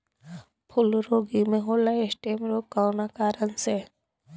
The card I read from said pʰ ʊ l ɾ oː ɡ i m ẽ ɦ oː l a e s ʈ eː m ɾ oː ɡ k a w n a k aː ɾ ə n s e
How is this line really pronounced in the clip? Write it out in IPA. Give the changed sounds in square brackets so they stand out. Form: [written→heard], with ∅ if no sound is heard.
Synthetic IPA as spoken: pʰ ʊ l ɾ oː ɡ i m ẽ ɦ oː l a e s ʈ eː m ɾ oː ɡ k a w n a k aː ɾ ə n s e